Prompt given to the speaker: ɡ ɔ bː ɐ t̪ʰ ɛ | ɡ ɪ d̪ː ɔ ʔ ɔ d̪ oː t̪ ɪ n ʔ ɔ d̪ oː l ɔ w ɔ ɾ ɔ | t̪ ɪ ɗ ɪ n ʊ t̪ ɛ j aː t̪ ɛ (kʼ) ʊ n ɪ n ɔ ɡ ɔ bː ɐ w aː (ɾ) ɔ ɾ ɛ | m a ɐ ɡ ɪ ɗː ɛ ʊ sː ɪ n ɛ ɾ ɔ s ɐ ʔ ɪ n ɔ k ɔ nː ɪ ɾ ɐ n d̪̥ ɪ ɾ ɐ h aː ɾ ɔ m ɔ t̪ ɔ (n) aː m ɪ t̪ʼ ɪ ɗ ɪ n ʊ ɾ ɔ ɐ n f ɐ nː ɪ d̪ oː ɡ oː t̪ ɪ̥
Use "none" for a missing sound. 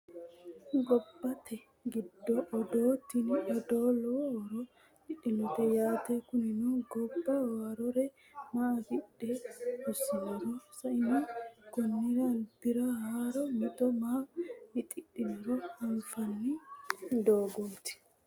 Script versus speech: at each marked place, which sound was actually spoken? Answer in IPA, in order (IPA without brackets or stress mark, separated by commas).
k, ɾ, m